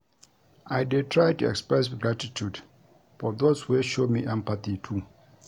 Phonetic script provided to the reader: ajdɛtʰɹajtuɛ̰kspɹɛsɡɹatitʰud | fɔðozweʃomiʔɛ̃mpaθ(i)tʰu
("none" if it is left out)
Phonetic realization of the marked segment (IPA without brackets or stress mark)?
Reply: i